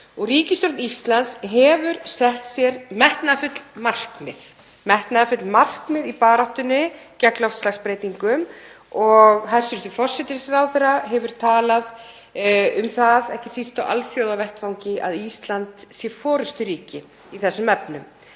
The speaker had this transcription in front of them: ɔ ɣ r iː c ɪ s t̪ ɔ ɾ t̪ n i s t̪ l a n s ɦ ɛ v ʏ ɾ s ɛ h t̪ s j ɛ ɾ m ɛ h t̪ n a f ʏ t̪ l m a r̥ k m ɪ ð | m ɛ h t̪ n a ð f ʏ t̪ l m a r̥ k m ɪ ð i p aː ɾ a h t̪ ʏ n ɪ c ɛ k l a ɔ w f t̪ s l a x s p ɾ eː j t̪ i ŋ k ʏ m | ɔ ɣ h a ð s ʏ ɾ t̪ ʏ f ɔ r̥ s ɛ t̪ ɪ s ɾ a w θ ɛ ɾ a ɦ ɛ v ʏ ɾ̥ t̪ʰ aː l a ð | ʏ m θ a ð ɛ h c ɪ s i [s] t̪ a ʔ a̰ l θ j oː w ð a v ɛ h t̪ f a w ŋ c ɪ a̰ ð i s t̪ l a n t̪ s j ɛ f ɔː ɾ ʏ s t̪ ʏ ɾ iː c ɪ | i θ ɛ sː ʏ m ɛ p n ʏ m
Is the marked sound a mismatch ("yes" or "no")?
no